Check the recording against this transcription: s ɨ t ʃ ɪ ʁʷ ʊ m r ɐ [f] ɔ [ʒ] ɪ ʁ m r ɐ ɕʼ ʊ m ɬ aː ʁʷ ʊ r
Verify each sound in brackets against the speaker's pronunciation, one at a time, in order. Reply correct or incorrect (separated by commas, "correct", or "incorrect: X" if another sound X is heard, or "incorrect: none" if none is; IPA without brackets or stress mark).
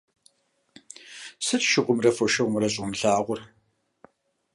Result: correct, incorrect: ʃ